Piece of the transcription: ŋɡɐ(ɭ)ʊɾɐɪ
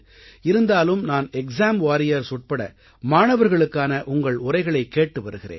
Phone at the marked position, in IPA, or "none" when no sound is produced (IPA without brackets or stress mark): ɭ